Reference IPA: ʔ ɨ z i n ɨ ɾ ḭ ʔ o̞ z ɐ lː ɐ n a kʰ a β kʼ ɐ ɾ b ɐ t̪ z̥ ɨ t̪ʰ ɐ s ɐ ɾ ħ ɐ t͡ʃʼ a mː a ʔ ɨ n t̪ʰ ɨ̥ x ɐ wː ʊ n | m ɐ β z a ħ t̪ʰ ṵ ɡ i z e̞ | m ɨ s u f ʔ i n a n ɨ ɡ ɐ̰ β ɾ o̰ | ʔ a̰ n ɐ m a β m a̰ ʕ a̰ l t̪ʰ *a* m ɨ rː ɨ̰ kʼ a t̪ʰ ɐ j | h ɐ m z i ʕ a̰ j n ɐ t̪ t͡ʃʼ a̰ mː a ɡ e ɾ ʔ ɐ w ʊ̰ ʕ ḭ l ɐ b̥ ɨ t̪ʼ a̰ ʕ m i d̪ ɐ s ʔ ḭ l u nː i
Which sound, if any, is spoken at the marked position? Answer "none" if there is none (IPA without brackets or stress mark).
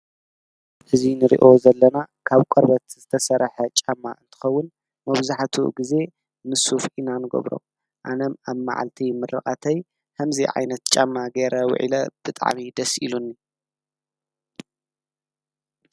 i